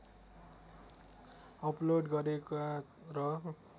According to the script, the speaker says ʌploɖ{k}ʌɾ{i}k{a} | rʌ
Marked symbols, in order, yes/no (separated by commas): no, no, yes